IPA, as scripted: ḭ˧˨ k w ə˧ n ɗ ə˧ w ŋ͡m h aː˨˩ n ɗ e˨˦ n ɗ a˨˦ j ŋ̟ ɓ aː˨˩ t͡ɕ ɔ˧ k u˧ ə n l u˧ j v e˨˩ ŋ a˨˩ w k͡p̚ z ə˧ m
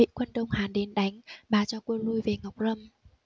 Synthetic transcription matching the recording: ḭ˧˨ k w ə˧ n ɗ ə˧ w ŋ͡m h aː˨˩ n ɗ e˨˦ n ɗ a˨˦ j ŋ̟ ɓ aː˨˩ t͡ɕ ɔ˧ k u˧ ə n l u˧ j v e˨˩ ŋ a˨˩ w k͡p̚ z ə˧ m

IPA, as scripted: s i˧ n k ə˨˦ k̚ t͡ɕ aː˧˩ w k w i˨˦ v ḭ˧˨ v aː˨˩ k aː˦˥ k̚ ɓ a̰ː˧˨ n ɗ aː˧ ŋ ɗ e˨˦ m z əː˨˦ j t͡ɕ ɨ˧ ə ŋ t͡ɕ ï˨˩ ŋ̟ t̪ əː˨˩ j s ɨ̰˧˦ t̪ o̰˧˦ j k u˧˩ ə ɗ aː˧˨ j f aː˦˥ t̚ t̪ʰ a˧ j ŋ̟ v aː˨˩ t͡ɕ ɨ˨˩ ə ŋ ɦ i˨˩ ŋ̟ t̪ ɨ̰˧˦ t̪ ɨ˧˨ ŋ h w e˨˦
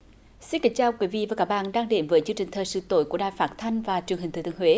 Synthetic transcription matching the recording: s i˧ n k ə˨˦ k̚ t͡ɕ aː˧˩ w k w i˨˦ v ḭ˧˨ v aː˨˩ k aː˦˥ k̚ ɓ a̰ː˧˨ n ɗ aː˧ ŋ ɗ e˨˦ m v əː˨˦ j t͡ɕ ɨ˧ ə ŋ t͡ɕ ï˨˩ ŋ̟ t̪ʰ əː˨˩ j s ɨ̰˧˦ t̪ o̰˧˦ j k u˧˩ ə ɗ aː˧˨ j f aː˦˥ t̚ t̪ʰ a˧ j ŋ̟ v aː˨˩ t͡ɕ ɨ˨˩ ə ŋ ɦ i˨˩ ŋ̟ t̪ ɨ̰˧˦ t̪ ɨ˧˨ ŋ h w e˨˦

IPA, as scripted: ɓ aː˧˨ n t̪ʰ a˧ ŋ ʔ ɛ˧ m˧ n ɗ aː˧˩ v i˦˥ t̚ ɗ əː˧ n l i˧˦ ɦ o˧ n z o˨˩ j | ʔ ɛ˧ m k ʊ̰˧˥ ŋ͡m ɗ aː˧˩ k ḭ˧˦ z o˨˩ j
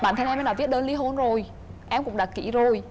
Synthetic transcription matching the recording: ɓ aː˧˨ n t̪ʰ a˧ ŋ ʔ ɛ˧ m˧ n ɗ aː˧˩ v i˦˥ t̚ ɗ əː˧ n l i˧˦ ɦ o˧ n z o˨˩ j | ʔ ɛ˧ m k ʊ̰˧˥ ŋ͡m ɗ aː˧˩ k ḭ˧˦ z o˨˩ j

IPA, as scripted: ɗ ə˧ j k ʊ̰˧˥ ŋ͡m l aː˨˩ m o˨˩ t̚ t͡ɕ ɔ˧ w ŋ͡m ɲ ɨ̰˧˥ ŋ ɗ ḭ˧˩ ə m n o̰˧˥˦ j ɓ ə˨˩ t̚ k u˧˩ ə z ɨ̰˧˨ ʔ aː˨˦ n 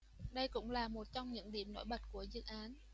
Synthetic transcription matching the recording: ɗ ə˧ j k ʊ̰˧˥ ŋ͡m l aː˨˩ m o˨˩ t̚ t͡ɕ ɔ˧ w ŋ͡m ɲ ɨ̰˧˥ ŋ ɗ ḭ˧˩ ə m n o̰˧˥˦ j ɓ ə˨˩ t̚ k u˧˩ ə z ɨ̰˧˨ ʔ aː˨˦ n

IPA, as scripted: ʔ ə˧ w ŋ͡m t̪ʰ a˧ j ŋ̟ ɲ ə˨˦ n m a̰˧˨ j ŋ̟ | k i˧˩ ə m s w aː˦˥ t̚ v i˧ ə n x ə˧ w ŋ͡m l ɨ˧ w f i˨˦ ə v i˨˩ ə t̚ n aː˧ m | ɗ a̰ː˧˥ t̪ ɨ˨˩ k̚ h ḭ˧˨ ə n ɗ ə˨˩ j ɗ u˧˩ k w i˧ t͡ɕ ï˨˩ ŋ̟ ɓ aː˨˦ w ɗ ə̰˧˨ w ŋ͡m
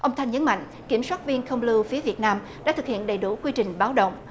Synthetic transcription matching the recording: ʔ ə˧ w ŋ͡m t̪ʰ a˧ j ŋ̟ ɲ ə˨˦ n m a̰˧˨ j ŋ̟ | k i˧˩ ə m s w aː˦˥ t̚ v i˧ ə n x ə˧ w ŋ͡m l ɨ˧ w f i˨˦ ə v i˨˩ ə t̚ n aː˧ m | ɗ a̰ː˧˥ t̪ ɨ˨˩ k̚ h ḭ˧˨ ə n ɗ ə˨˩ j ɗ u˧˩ k w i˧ t͡ɕ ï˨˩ ŋ̟ ɓ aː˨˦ w ɗ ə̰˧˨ w ŋ͡m

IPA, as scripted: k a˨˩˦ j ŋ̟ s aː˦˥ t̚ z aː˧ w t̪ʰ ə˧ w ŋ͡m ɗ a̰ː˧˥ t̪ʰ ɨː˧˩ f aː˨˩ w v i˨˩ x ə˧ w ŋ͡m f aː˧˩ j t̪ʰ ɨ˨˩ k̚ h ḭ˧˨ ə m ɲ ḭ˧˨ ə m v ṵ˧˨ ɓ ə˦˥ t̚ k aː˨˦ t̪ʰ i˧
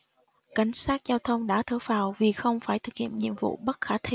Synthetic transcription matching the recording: k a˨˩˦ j ŋ̟ s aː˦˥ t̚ z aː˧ w t̪ʰ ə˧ w ŋ͡m ɗ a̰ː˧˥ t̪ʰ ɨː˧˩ f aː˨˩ w v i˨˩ x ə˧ w ŋ͡m f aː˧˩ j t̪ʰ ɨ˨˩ k̚ h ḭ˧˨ ə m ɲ ḭ˧˨ ə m v ṵ˧˨ ɓ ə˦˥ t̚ x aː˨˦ t̪ʰ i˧

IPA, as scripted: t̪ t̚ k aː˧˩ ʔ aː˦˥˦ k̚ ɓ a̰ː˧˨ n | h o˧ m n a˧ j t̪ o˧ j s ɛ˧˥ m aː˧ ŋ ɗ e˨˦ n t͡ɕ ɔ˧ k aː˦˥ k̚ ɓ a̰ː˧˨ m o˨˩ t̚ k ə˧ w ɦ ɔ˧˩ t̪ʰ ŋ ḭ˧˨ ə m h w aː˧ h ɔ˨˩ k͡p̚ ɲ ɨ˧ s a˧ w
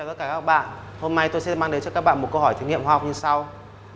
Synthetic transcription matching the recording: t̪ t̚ k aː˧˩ k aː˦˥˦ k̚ ɓ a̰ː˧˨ n | h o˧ m n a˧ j t̪ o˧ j s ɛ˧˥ m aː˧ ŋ ɗ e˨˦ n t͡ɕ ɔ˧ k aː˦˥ k̚ ɓ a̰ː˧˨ m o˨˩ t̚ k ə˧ w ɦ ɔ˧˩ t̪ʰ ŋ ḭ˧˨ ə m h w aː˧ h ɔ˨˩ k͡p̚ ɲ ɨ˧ s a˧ w

